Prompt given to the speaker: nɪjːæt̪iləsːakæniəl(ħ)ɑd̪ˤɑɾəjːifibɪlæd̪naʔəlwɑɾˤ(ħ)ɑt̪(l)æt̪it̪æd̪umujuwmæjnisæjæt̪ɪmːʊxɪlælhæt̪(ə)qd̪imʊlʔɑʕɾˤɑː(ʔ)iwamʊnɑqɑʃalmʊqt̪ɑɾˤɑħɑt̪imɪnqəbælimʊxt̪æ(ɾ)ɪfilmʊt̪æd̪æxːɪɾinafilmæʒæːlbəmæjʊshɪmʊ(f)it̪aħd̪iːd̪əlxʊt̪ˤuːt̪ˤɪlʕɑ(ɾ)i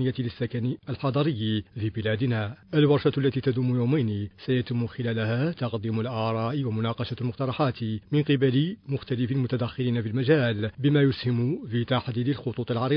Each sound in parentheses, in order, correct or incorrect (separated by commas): correct, incorrect, incorrect, incorrect, correct, incorrect, correct, correct